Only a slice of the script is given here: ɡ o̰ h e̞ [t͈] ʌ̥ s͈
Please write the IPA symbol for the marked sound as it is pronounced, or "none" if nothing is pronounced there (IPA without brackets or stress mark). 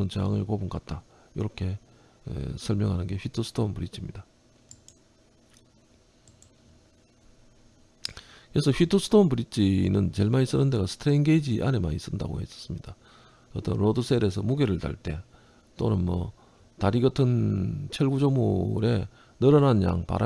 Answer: s͈